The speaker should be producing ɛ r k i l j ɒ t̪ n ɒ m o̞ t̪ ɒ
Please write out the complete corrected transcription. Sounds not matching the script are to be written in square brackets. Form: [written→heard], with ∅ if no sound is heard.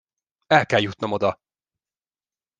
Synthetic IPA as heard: ɛ [r→l] k [i→ɛ] l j [ɒ→u] t̪ n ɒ m o̞ [t̪→d̪] ɒ